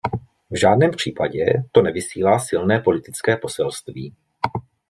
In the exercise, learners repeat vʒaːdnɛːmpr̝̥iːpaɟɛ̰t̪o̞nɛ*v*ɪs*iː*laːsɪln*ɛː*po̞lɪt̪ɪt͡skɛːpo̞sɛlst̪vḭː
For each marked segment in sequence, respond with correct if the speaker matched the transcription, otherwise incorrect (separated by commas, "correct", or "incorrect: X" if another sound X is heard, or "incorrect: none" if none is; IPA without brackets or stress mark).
correct, correct, correct